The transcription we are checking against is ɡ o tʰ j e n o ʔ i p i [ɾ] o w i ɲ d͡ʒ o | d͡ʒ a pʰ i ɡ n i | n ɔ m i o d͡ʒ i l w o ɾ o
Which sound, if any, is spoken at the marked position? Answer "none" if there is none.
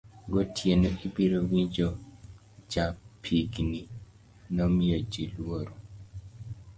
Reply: ɾ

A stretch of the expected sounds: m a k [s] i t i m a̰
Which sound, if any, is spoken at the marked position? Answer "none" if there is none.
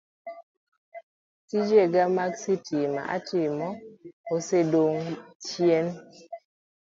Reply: s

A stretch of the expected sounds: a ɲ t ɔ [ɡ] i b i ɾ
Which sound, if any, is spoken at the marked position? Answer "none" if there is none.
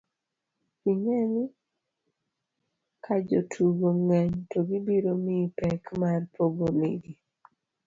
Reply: ɡ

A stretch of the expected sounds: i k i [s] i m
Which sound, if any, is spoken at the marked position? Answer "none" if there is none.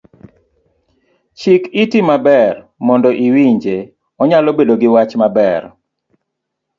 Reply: t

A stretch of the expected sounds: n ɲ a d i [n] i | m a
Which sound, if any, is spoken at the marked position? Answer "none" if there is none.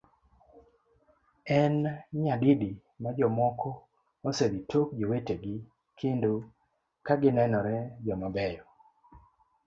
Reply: d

